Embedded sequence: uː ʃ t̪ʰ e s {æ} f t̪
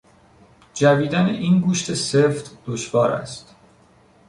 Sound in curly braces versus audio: incorrect: e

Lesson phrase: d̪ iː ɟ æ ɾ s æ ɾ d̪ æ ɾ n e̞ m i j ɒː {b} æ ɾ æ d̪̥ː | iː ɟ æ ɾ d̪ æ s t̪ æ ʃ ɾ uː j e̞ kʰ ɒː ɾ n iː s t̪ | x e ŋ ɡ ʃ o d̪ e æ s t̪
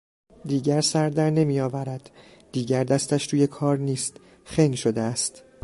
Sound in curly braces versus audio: incorrect: v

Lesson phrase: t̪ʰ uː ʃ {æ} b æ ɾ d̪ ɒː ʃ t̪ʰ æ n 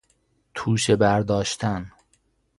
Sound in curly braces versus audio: incorrect: e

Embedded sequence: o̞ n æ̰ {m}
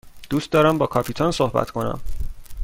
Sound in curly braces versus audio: correct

